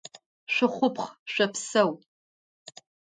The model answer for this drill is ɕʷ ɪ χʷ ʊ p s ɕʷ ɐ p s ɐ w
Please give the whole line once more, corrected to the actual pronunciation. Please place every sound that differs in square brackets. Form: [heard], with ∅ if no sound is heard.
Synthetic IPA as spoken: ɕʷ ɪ χʷ ʊ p [χ] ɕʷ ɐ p s ɐ w